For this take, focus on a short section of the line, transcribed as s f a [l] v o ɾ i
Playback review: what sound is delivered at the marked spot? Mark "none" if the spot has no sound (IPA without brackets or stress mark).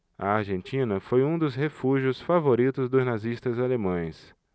none